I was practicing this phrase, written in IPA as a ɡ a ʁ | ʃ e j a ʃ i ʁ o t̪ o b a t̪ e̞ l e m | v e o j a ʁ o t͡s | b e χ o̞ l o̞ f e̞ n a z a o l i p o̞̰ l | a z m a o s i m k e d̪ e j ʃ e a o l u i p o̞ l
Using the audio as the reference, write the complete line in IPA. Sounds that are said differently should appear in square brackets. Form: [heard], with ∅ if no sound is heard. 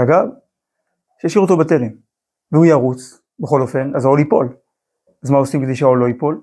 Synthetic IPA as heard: a ɡ a [v] | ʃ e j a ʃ i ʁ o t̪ o b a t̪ e̞ l e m | v e [u] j a ʁ [u] t͡s | b e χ o̞ l o̞ f e̞ n a z a o l i p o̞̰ l | a z m a o s i m k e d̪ e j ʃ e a o l [o] i p o̞ l